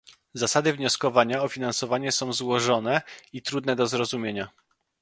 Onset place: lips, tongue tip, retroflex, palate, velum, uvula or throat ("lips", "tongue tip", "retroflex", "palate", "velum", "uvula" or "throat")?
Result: tongue tip